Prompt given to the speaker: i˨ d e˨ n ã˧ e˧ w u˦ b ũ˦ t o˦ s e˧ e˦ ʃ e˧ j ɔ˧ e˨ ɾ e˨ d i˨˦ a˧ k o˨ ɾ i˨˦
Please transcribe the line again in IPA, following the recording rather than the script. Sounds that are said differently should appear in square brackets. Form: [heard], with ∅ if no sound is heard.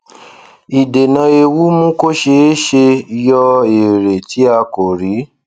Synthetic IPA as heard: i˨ d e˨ n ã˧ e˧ w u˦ [m] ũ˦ [k] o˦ [ʃ] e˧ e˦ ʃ e˧ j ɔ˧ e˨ ɾ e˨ [t] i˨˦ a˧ k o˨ ɾ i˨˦